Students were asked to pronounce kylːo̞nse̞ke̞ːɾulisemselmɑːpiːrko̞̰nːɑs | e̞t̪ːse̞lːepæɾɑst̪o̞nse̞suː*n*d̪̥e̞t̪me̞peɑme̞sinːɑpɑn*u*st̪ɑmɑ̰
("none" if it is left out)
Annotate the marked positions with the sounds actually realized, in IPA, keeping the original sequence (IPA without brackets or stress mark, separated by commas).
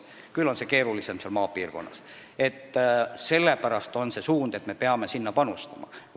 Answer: n, u